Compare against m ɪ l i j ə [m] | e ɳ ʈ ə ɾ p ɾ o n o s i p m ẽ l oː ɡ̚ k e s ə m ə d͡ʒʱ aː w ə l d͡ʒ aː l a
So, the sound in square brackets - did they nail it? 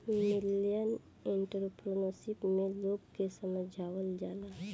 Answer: no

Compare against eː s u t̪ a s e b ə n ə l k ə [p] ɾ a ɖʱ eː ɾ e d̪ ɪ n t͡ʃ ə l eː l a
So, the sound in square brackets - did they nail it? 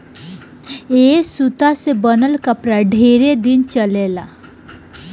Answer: yes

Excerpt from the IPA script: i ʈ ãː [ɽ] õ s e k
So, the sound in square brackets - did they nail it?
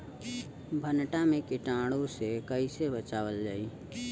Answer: yes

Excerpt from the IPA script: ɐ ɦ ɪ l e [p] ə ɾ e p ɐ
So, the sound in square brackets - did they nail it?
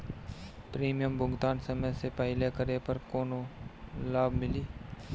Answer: no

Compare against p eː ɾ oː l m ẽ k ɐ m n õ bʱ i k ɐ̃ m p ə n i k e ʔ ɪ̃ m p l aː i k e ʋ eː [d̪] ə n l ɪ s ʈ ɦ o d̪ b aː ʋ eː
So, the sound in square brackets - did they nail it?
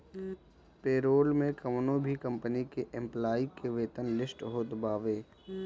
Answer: no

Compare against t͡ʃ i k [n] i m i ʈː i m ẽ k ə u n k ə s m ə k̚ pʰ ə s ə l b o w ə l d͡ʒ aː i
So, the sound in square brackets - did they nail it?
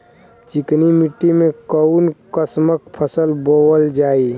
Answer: yes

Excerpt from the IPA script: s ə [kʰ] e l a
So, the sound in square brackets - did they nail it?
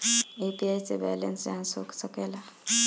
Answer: no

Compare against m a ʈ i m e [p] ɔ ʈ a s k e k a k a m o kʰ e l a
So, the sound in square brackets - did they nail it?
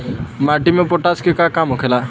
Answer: yes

